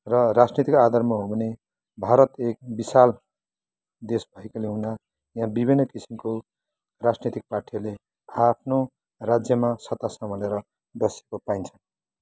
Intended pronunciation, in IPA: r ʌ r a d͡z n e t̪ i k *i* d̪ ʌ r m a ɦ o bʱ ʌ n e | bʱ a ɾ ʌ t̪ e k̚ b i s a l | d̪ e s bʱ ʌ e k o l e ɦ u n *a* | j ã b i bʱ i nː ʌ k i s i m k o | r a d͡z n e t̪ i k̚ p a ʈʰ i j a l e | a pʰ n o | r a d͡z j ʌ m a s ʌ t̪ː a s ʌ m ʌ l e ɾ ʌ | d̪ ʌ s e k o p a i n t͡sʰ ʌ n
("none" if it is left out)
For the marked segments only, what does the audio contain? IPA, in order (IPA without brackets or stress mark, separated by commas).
a, a